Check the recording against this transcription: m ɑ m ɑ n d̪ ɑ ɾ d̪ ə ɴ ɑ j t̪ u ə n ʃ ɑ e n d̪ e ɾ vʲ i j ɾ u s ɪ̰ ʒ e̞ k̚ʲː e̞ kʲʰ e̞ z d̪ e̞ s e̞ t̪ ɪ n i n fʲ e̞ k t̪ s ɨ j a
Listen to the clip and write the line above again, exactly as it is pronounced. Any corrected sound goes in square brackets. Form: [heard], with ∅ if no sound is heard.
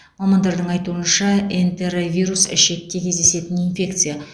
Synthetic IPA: m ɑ m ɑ n d̪ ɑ ɾ d̪ ə ɴ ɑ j t̪ u ə n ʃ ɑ e n [t̪] e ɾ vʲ i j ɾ u s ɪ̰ [ʃ] e̞ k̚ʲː e̞ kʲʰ e̞ z d̪ e̞ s e̞ t̪ ɪ n i n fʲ e̞ k t̪ s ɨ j a